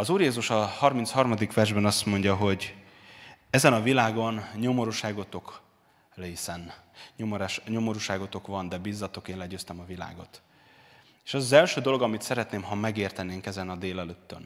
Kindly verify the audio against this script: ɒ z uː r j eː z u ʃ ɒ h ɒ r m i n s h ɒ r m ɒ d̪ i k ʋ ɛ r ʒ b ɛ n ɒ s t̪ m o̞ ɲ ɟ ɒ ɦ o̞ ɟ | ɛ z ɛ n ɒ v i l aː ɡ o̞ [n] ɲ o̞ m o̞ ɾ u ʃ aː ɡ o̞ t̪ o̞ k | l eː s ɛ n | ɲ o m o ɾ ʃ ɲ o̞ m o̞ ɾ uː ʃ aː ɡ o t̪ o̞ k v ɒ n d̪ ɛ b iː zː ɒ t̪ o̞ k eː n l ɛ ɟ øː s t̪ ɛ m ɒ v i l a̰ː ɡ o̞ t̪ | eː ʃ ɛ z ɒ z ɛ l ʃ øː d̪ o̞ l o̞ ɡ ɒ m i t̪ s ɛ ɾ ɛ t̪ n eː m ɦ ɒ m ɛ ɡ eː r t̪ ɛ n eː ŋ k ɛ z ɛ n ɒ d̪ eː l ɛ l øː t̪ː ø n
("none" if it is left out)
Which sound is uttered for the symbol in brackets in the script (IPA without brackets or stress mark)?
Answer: n